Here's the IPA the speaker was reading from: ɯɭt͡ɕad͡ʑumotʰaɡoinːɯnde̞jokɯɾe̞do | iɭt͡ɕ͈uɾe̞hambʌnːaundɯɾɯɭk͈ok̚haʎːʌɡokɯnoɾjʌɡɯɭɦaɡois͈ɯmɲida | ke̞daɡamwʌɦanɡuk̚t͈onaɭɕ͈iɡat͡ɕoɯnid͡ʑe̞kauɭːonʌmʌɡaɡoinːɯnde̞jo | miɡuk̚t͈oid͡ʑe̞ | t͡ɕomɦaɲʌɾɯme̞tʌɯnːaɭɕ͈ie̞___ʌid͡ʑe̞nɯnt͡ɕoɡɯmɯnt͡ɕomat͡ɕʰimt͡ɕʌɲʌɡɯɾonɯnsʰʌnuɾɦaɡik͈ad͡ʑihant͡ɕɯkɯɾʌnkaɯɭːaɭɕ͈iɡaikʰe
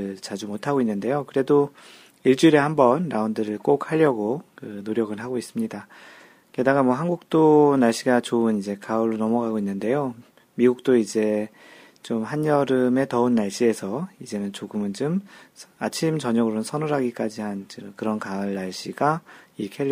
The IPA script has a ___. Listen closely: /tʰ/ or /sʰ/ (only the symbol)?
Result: sʰ